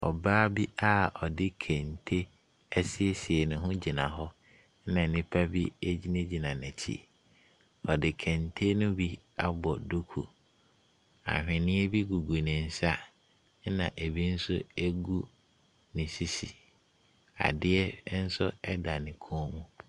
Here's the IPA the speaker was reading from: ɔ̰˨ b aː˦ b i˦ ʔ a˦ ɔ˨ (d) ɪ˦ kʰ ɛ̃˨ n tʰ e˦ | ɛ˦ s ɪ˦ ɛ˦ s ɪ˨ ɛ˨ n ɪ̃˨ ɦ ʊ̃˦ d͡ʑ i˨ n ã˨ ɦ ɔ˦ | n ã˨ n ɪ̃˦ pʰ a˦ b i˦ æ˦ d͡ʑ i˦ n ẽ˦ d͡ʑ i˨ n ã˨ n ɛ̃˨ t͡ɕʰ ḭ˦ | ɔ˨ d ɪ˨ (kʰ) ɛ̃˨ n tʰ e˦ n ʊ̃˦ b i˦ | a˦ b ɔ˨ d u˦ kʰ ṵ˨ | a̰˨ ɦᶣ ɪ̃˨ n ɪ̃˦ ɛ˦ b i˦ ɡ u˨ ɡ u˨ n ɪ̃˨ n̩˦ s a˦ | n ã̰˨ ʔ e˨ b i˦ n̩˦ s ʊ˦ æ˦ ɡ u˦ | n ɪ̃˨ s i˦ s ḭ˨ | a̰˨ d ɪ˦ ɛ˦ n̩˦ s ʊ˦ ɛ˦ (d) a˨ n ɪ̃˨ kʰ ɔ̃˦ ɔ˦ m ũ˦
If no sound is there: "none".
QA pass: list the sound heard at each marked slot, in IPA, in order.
d, kʰ, d

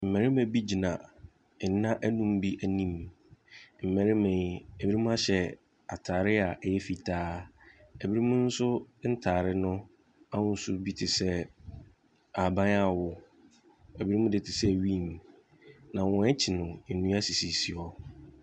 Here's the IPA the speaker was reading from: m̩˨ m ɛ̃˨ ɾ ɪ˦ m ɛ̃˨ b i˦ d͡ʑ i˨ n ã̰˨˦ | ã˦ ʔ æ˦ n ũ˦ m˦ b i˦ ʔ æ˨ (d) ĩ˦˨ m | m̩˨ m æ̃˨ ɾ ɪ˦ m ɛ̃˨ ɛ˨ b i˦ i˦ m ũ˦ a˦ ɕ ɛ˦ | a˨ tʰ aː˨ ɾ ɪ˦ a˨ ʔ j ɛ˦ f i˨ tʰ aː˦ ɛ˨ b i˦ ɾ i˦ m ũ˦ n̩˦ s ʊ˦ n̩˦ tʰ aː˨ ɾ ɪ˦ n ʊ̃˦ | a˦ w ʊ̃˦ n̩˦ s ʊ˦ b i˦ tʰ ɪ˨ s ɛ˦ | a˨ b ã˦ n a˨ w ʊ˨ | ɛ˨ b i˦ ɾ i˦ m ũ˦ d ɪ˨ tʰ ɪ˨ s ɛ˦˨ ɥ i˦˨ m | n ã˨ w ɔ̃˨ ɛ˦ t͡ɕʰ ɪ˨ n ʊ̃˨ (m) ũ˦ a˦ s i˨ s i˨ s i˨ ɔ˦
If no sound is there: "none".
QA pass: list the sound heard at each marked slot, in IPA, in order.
n, n

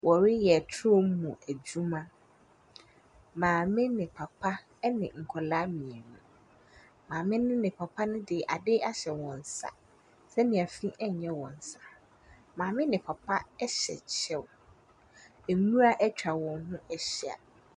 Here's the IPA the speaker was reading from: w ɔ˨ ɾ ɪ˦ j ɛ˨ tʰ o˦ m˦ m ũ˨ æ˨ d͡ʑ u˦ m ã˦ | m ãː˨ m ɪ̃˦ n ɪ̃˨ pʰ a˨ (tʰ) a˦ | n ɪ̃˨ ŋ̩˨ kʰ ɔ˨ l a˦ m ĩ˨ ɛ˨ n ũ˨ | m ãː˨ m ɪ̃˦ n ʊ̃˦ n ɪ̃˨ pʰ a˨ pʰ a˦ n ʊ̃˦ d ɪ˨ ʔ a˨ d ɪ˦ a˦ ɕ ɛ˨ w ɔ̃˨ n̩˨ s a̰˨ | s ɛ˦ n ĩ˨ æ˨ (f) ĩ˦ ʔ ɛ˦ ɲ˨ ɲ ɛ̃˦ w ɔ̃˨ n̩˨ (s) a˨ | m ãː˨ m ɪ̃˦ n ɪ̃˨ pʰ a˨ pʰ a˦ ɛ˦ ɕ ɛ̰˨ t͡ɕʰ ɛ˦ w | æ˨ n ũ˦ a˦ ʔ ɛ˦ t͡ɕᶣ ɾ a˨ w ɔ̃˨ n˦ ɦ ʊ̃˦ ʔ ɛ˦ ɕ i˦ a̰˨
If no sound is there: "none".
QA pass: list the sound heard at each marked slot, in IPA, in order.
pʰ, f, s

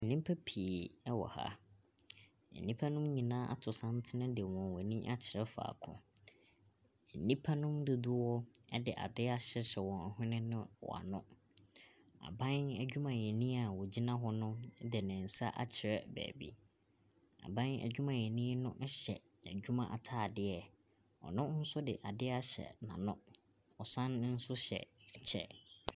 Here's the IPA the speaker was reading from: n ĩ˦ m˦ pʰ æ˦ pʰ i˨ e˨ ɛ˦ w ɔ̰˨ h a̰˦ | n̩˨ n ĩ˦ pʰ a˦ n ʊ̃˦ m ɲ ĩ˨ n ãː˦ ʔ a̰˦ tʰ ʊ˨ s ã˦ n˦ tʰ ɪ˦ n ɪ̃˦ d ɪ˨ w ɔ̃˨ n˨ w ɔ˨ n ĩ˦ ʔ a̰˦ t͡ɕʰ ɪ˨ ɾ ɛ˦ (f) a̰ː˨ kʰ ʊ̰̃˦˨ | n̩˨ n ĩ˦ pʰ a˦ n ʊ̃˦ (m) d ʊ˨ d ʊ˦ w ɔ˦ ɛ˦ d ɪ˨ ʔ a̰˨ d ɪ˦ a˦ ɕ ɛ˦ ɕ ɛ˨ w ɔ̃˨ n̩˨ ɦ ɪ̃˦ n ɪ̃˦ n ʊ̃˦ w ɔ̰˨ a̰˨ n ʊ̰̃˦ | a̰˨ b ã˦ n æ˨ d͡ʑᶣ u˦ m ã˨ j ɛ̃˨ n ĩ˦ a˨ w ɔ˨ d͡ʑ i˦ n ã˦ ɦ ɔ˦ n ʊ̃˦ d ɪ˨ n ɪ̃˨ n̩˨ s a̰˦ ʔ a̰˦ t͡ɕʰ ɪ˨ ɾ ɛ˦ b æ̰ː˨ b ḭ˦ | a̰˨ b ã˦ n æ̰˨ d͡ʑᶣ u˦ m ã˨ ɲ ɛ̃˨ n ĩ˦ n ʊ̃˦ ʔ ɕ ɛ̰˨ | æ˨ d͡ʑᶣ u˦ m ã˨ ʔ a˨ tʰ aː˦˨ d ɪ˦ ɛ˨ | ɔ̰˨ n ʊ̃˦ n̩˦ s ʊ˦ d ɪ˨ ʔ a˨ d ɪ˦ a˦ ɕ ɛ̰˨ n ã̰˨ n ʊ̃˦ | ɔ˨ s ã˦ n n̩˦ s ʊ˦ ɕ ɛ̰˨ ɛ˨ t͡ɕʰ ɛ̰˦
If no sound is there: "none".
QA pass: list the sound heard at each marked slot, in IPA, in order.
f, m

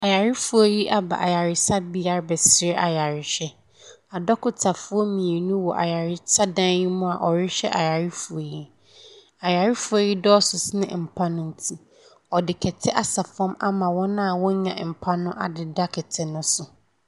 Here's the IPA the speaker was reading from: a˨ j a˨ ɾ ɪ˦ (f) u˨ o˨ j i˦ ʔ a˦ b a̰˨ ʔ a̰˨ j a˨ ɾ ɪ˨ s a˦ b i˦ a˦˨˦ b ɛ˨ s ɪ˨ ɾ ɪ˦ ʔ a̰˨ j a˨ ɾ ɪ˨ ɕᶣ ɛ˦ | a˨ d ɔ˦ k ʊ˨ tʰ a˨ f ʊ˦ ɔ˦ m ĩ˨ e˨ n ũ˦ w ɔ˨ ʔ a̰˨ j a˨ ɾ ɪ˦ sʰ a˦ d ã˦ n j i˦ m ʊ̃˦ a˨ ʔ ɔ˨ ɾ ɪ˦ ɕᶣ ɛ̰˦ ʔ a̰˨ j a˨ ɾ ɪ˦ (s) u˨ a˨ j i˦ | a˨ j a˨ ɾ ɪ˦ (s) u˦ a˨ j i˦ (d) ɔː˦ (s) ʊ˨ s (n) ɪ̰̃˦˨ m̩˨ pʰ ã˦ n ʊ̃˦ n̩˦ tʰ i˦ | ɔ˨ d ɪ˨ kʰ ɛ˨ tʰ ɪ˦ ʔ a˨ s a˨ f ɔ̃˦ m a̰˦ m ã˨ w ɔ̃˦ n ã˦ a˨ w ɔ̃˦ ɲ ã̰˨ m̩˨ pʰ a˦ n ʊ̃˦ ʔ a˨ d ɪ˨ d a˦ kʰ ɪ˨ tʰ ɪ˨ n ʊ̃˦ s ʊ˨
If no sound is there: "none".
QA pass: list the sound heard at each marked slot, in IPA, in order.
f, f, f, d, s, n

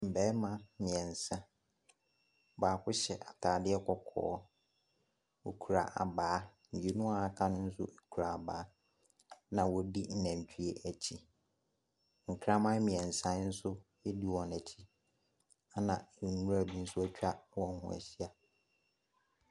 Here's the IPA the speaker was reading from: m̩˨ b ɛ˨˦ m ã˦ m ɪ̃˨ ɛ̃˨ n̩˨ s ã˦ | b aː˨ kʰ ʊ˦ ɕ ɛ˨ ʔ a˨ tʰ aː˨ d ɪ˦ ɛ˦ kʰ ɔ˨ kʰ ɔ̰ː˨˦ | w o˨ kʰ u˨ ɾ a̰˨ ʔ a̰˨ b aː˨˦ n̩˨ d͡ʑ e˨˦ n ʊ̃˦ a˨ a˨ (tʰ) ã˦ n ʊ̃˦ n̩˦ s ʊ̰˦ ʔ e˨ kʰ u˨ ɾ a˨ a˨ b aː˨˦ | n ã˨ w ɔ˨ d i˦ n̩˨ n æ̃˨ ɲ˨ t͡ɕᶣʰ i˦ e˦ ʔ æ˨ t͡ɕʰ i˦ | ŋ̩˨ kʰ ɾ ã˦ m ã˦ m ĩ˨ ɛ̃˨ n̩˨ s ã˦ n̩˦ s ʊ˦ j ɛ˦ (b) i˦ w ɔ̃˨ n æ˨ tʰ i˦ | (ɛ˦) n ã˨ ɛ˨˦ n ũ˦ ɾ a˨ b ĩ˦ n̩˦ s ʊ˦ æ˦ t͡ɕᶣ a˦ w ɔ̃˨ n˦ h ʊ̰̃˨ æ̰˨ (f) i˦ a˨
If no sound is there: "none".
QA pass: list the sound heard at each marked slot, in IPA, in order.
kʰ, d, a˦, ɕ

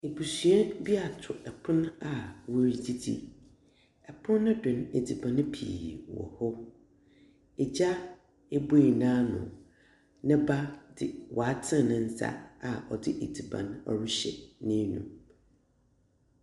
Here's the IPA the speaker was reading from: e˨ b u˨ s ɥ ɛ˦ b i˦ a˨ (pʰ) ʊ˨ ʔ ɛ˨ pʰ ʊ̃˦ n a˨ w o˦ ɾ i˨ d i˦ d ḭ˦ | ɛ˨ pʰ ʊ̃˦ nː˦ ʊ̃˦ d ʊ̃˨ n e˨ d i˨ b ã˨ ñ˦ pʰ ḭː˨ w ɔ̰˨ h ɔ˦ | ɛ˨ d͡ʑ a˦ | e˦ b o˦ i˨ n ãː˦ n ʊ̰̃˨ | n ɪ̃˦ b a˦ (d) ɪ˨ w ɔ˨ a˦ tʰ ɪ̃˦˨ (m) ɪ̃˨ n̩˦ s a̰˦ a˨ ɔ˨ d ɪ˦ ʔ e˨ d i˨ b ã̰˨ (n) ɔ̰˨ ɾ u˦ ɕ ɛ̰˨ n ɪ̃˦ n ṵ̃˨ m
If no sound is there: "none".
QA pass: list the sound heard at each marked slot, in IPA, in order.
tʰ, d, n, n

